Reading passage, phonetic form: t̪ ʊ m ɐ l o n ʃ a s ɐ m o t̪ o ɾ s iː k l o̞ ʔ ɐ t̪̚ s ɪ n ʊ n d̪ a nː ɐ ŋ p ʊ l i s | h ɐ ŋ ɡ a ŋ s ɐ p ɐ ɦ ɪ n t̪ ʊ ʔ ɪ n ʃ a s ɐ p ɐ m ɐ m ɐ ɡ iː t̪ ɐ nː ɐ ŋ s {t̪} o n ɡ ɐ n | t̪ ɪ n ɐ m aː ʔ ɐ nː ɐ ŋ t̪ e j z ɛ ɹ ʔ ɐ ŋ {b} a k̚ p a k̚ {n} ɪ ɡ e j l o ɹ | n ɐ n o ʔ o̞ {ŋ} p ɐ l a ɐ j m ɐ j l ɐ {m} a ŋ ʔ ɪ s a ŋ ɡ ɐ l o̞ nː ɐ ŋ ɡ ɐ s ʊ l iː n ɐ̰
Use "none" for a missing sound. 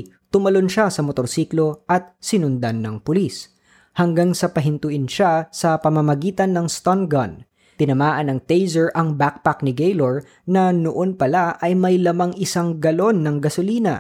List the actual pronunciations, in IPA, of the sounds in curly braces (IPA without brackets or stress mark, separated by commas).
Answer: t̪, b, n, n, m